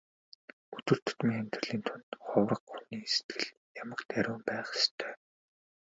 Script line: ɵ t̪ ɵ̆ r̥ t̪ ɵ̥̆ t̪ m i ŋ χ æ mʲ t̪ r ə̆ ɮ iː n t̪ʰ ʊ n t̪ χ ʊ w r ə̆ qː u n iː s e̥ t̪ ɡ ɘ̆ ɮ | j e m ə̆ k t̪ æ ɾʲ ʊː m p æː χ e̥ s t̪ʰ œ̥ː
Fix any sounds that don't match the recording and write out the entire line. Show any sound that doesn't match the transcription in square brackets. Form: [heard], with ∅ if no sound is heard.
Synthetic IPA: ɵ t̪ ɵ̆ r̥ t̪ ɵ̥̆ t̪ m i ŋ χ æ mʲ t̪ r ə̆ ɮ iː n t̪ʰ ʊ n t̪ χ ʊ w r ə̆ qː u n iː s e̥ t̪ ɡ ɘ̆ ɮ | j [a] m ə̆ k t̪ æ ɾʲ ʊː m p æː χ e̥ s t̪ʰ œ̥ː